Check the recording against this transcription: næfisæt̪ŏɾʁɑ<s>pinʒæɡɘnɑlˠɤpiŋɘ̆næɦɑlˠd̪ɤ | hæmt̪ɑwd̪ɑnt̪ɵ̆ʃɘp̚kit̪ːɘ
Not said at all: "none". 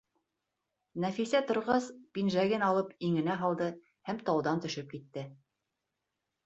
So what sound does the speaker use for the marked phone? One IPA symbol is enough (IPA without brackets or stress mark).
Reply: s